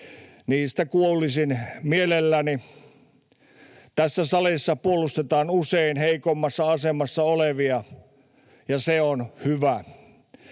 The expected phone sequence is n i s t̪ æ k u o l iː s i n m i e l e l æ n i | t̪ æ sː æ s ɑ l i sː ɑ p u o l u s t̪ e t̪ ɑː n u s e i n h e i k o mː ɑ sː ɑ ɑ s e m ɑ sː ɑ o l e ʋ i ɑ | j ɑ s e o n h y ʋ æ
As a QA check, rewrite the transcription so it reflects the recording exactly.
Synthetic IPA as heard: n iː s t̪ æ k u o l i s i n m i e l e lː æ n i | t̪ æ sː æ s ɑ l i sː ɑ p u o l u s t̪ e t̪ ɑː n u s e i n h e i k o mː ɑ sː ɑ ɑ s e m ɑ sː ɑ o l e ʋ i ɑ | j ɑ s e o n h y ʋ æ

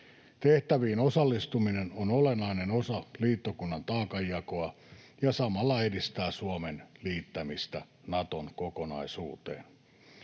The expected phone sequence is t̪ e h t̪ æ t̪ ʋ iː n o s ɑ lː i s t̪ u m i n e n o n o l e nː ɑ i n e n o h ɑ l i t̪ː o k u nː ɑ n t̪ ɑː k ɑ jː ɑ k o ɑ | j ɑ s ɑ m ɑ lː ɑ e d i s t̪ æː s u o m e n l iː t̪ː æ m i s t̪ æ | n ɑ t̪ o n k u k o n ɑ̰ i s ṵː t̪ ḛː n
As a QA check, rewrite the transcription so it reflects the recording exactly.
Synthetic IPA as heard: t̪ e h t̪ æ ʋ iː n o s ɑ lː i s t̪ u m i n e n o n o l e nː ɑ i n e n o s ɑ l iː t̪ː o k u nː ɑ n t̪ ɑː k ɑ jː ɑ k o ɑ | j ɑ s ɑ m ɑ lː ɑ e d i s t̪ æː s u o m e n l iː t̪ː æ m i s t̪ æ | n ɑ t̪ o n k o k o n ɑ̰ i s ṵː t̪ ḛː n

